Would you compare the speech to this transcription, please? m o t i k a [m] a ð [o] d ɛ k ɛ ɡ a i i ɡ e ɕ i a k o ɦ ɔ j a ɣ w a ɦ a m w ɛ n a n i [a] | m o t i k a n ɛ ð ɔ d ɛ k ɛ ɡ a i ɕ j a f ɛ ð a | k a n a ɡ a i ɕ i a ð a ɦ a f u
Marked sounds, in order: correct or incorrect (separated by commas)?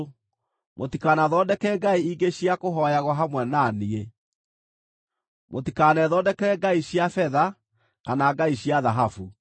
incorrect, incorrect, incorrect